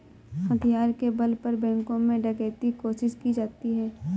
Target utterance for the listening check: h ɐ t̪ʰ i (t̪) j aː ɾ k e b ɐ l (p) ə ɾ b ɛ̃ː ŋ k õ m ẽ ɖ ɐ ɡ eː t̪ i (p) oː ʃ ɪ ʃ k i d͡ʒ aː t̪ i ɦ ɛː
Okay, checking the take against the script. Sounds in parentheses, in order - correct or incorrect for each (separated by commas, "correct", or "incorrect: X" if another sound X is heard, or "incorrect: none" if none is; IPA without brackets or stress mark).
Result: incorrect: none, correct, incorrect: k